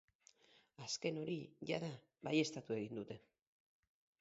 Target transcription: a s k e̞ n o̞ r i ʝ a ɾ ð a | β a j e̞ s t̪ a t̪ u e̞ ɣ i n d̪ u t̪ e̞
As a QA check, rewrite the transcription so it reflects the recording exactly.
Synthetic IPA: a s k e̞ n o̞ ɾ i ʝ a ð a | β a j e̞ s t̪ a t̪ u e̞ ɣ i n d̪ u t̪ e̞